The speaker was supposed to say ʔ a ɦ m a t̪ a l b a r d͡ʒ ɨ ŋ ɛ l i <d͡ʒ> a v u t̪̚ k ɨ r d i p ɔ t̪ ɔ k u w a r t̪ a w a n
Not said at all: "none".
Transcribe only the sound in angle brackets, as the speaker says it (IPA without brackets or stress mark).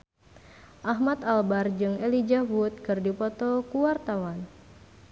d͡ʒ